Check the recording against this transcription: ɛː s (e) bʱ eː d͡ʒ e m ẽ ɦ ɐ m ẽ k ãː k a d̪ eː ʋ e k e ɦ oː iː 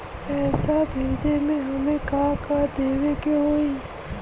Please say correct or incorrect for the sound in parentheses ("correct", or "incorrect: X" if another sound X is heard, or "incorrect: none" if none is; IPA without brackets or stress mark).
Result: incorrect: a